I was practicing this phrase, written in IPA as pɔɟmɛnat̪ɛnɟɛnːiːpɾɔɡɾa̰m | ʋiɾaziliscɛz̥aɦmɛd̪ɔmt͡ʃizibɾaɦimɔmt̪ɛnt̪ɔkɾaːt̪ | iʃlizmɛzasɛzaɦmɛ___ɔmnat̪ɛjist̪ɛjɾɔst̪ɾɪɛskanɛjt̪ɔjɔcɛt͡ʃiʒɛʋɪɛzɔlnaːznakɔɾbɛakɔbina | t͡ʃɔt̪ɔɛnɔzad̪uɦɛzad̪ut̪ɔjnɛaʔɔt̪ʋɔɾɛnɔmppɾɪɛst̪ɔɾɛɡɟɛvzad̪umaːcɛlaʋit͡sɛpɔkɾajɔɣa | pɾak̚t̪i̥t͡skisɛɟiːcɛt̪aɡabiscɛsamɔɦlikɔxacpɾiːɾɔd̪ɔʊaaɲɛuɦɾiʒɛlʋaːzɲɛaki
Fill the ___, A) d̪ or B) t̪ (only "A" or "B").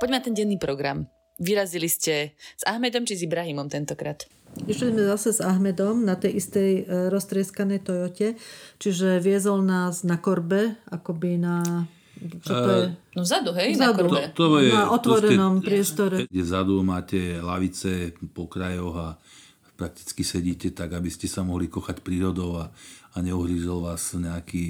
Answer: A